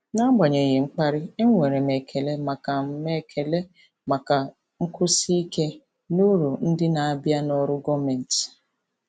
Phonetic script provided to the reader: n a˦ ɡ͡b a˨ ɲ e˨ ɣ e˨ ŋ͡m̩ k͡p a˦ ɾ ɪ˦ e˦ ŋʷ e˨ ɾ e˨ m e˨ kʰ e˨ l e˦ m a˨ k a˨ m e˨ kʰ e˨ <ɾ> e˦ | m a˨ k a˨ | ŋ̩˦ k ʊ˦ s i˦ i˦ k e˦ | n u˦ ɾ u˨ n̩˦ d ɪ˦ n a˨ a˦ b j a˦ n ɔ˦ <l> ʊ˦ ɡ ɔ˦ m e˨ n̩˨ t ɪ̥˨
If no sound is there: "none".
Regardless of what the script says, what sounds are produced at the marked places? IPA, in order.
l, ɾ

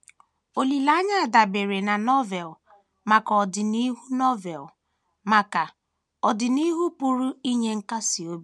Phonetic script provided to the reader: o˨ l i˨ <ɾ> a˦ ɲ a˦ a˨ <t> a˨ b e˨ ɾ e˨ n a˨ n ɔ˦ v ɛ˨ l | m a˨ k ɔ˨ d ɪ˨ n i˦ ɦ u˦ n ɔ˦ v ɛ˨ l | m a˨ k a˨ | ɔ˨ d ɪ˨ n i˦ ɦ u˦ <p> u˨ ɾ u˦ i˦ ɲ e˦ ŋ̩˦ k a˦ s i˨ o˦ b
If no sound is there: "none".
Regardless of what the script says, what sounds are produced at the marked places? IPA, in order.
l, d, p

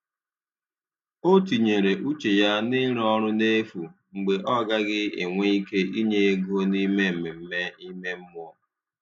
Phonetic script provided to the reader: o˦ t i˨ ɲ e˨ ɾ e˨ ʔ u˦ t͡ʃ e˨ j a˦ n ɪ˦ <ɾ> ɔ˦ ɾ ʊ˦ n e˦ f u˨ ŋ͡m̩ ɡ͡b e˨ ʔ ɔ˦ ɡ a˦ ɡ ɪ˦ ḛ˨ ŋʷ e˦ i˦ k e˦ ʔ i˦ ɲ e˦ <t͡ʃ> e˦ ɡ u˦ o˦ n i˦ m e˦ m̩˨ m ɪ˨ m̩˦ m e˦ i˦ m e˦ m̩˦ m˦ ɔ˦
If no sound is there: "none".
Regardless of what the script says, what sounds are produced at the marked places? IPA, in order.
ɾ, none

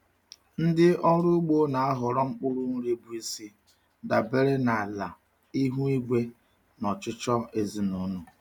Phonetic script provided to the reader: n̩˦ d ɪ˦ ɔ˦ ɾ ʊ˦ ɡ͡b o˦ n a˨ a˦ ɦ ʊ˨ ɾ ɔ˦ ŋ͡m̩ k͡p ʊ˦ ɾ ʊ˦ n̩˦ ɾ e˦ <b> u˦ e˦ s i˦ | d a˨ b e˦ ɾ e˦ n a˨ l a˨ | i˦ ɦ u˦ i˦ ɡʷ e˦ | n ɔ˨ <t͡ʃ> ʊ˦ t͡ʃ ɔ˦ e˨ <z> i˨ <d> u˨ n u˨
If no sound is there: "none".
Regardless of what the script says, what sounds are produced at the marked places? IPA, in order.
b, t͡ʃ, z, n

